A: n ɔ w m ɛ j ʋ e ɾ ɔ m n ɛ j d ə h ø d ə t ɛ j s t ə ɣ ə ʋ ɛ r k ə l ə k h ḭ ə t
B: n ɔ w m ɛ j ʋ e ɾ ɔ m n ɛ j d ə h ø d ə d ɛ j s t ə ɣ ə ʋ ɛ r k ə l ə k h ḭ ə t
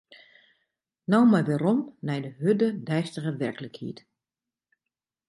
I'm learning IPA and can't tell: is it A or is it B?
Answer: B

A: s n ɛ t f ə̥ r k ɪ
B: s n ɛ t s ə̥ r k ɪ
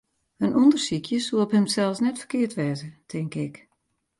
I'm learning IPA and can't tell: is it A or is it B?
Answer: A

